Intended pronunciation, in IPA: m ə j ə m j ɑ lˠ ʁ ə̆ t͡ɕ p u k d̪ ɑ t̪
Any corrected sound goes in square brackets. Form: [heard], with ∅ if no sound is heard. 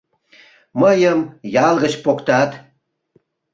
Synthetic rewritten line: m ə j ə m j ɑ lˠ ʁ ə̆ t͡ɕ p [o] k [t̪] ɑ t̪